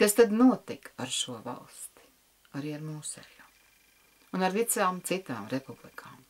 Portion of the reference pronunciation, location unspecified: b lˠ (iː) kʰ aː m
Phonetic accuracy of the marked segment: incorrect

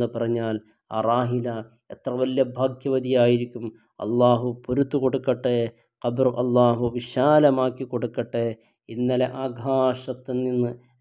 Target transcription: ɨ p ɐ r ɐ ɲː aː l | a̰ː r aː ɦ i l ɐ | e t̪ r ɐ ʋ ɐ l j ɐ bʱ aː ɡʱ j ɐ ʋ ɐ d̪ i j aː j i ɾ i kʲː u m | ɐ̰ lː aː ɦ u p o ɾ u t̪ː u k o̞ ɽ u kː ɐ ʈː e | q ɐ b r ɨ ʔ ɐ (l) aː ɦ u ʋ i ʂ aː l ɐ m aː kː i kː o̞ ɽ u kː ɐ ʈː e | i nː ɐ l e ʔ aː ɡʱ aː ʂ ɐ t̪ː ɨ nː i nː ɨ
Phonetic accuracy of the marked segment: incorrect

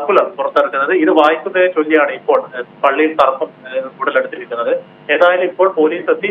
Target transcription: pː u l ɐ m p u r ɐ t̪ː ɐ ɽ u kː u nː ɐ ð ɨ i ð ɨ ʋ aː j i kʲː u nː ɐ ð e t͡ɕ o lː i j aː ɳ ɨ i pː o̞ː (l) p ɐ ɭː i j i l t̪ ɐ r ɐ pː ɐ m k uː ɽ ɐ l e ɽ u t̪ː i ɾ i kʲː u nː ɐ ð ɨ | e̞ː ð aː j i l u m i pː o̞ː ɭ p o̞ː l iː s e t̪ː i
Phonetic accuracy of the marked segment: incorrect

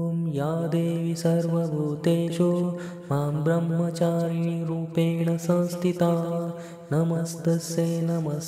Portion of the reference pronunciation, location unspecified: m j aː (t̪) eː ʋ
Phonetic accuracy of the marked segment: incorrect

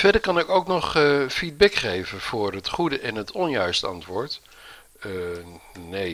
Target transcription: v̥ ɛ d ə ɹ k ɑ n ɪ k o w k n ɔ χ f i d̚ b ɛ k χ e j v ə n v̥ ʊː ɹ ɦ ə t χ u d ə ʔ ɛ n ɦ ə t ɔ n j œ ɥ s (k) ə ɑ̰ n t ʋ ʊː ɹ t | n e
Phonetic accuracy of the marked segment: incorrect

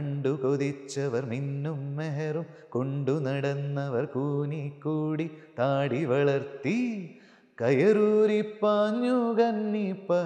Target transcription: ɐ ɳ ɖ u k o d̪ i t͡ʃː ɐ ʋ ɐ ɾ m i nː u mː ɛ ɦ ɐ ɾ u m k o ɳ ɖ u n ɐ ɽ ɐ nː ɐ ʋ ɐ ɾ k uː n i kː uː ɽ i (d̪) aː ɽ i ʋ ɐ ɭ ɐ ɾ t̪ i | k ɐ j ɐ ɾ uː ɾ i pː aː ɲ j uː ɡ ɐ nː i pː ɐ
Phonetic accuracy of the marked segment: incorrect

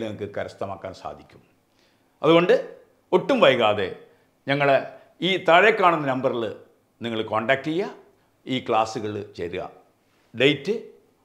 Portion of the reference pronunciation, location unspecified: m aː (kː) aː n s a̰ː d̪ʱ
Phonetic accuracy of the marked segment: correct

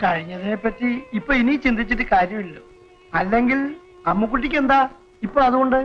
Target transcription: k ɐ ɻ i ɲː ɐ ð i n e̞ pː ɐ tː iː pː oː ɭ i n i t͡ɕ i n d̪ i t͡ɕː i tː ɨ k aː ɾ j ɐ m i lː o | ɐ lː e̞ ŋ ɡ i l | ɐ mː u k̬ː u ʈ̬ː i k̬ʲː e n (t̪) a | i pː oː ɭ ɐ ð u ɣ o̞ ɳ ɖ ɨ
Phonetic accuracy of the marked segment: incorrect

